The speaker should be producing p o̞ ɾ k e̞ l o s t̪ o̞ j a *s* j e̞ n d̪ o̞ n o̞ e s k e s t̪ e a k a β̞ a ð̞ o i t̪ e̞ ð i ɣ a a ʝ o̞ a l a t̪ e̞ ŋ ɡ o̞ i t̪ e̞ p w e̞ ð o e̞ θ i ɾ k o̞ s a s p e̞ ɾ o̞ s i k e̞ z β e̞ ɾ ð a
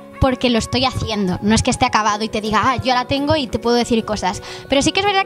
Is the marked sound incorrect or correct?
incorrect